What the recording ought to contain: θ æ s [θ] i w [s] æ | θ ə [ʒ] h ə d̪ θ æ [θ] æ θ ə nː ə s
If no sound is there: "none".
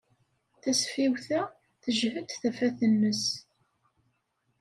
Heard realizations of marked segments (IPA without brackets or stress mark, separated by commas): f, θ, ʒ, f